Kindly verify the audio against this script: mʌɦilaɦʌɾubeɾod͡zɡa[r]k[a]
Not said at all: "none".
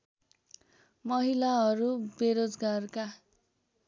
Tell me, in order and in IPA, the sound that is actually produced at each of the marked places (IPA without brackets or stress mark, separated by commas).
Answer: r, a